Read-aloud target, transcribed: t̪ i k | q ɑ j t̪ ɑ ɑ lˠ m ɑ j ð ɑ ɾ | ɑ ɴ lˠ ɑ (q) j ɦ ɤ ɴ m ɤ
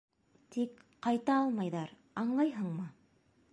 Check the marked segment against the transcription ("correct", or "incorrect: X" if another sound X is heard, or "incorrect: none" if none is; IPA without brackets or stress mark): incorrect: none